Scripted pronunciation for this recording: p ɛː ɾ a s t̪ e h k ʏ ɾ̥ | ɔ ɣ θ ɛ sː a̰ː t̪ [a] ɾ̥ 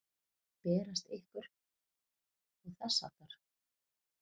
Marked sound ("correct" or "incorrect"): correct